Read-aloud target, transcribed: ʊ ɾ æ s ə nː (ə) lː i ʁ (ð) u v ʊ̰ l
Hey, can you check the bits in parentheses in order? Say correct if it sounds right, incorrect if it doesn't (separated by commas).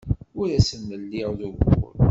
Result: correct, correct